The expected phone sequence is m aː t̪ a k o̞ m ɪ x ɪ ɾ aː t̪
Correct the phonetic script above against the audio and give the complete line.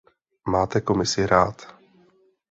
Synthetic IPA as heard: m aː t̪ ɛ k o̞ m ɪ s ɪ ɾ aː t̪